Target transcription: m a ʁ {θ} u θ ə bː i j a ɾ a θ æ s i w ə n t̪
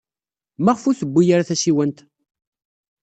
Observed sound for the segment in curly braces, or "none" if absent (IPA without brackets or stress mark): f